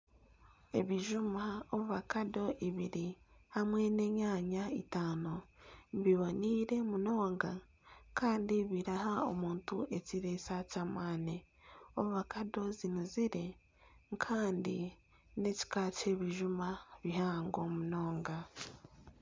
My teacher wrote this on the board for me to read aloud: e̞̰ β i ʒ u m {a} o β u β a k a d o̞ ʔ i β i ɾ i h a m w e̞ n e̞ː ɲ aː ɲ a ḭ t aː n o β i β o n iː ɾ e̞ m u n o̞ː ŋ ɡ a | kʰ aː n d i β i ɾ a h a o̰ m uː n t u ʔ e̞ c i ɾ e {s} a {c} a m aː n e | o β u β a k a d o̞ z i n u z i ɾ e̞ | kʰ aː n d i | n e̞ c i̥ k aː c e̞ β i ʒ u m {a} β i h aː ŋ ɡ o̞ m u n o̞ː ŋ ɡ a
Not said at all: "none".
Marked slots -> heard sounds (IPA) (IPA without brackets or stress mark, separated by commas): a, s, c, a